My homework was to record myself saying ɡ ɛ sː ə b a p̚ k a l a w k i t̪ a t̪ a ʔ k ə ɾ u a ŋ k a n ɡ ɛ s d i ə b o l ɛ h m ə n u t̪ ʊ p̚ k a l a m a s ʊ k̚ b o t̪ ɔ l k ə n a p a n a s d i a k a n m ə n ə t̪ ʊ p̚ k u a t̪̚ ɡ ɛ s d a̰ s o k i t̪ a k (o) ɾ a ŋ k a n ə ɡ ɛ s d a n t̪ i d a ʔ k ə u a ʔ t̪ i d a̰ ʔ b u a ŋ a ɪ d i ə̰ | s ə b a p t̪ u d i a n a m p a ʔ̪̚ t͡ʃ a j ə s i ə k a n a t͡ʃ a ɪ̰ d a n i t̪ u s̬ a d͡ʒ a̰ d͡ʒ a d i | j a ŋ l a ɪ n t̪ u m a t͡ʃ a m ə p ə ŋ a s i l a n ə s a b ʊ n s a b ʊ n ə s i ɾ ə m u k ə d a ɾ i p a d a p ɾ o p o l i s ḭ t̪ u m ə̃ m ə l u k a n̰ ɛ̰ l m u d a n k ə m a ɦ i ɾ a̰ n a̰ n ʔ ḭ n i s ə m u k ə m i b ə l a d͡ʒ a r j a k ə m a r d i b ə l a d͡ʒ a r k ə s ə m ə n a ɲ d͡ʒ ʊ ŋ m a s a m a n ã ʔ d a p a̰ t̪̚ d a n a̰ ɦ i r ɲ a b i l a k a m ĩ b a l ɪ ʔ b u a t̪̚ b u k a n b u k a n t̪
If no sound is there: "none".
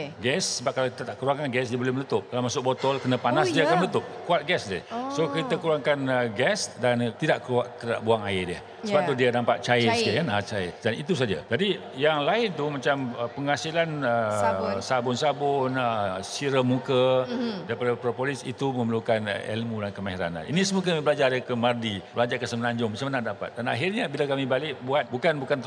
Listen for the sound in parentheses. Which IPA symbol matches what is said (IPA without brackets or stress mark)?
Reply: u